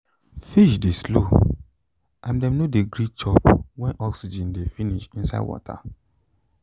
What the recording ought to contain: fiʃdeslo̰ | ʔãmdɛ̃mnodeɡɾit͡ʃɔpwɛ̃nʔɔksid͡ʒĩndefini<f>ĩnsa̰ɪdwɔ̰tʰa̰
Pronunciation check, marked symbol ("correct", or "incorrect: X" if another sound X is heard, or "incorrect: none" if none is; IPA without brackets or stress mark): incorrect: ʃ